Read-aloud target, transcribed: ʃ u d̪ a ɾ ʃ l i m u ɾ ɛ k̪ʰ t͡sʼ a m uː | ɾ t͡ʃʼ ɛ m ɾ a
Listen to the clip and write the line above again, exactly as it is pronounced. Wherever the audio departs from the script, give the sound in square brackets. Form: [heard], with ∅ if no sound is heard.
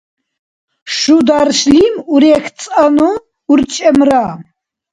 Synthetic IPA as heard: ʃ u d̪ a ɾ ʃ l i m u ɾ ɛ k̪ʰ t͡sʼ a [n] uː | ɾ t͡ʃʼ ɛ m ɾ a